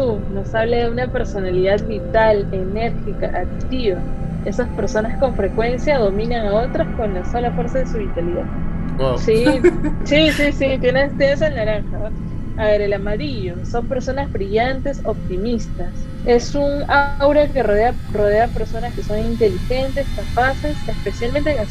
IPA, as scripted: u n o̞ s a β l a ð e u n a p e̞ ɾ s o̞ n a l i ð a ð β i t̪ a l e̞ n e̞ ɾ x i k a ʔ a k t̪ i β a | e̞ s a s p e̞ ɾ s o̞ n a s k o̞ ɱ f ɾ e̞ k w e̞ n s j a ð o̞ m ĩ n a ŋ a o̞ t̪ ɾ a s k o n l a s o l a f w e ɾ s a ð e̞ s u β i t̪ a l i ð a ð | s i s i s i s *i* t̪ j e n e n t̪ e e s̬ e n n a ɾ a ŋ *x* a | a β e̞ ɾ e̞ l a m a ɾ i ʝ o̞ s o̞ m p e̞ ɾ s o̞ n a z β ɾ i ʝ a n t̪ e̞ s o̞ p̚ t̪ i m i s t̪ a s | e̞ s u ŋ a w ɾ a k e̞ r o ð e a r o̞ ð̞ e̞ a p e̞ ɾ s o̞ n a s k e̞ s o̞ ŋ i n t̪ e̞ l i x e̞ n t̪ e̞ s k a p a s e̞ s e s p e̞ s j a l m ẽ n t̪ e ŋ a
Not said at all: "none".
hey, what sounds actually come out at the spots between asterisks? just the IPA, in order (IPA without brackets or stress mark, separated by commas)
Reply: i, x